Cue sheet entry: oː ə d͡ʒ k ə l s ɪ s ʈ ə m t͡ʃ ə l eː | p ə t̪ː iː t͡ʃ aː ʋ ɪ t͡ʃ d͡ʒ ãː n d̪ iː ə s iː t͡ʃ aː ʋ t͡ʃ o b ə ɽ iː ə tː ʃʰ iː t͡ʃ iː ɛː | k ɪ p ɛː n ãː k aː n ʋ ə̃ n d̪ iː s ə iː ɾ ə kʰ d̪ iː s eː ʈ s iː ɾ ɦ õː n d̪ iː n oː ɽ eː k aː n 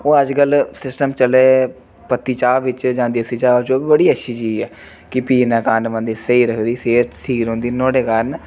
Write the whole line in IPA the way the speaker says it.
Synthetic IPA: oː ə d͡ʒ k ə l s ɪ s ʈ ə m t͡ʃ ə l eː | p ə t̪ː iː t͡ʃ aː ʋ ɪ t͡ʃ d͡ʒ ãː n d̪ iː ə s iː t͡ʃ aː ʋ t͡ʃ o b ə ɽ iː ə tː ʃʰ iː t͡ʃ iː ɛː | k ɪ p iː n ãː k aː n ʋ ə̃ n d̪ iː s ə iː ɾ ə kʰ d̪ iː s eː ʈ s iː ɾ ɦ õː n d̪ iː n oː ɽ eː k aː n